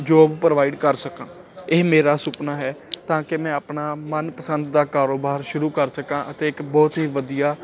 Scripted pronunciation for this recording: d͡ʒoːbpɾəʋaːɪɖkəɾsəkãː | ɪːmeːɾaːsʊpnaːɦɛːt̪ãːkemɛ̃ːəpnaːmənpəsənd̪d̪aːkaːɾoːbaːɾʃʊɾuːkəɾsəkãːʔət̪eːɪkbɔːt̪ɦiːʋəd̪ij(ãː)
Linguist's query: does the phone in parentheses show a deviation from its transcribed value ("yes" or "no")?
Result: yes